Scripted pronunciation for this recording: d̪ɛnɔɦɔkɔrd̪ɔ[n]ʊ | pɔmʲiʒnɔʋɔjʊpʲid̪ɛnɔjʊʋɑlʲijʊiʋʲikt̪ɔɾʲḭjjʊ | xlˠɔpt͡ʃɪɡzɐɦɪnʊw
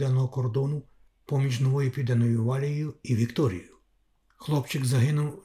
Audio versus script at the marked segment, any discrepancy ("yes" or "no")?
no